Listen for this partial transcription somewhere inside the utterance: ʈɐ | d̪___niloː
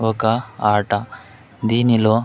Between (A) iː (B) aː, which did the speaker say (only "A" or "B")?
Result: A